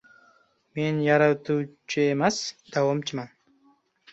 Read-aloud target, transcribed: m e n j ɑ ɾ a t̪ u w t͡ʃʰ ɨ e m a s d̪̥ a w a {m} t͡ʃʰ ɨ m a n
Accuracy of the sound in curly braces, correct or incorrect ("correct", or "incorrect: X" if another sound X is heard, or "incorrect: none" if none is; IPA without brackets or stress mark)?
correct